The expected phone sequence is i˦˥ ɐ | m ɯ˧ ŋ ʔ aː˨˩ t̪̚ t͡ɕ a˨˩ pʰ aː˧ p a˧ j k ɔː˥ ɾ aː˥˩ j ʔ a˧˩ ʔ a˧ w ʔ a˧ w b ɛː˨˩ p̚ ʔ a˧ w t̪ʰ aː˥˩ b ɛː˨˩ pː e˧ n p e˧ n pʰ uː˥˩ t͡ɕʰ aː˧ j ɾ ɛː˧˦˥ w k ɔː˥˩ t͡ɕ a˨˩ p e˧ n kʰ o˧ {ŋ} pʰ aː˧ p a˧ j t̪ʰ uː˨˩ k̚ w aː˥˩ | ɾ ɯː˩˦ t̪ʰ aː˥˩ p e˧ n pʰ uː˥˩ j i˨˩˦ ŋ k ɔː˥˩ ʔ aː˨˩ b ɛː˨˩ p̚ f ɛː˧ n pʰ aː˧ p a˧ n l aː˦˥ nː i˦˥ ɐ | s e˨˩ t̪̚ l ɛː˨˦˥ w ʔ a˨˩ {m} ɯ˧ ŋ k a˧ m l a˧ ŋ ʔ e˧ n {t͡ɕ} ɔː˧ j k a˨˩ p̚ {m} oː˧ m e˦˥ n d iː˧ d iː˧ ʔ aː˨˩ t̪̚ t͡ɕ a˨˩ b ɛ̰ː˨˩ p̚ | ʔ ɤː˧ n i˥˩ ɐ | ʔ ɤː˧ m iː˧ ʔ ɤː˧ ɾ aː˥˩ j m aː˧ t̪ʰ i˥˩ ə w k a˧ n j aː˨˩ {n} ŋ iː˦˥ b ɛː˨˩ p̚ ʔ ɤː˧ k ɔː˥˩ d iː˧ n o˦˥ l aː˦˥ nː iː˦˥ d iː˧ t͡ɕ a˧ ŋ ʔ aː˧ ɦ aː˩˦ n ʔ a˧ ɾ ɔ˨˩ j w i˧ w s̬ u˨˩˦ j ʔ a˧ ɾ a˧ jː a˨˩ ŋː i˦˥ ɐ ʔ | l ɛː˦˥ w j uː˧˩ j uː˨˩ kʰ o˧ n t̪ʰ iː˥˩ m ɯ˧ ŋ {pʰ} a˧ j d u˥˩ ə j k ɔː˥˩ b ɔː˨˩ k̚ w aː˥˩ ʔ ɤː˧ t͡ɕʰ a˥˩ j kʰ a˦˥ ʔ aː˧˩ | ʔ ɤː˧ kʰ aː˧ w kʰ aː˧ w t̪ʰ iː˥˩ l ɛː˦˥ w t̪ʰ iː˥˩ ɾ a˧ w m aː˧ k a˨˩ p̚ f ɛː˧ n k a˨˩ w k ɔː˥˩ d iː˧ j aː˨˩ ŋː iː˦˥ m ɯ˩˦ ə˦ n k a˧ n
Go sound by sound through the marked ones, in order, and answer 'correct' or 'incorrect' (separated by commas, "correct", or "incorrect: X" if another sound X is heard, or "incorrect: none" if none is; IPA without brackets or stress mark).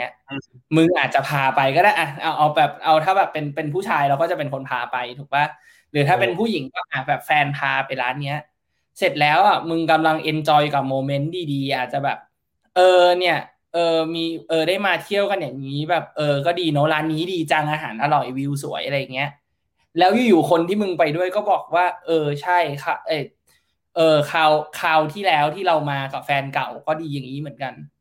incorrect: n, correct, correct, correct, incorrect: ŋ, incorrect: p